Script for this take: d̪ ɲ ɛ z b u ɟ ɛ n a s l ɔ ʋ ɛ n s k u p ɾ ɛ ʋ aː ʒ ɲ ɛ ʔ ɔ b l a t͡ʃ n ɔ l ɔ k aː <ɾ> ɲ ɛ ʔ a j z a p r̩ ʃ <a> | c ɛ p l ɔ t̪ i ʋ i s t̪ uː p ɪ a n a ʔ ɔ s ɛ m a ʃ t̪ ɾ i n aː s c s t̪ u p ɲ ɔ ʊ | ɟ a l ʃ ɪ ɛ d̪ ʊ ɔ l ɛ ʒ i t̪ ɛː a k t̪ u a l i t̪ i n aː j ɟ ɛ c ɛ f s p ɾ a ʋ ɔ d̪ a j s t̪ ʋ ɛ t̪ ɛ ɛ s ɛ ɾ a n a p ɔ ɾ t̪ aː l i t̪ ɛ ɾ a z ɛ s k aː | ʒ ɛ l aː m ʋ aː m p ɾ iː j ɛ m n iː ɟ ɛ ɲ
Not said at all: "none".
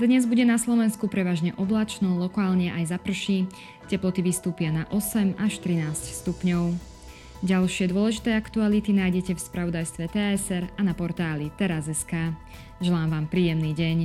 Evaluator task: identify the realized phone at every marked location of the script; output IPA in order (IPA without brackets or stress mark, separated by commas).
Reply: l, i